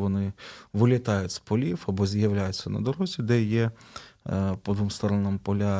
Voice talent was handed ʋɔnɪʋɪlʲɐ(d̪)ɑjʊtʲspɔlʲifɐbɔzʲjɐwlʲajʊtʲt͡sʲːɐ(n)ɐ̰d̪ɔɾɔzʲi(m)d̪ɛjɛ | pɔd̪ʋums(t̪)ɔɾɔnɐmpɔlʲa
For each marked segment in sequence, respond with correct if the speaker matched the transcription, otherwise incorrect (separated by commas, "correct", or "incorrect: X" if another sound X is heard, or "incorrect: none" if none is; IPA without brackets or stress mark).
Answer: incorrect: t̪, correct, incorrect: none, correct